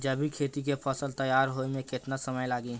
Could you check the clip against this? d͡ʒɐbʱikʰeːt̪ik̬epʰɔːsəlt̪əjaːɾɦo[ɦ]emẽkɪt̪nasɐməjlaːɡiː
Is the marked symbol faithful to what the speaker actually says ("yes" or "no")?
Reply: no